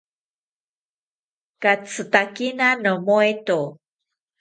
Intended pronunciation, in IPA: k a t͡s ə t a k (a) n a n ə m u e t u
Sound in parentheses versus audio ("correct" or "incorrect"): incorrect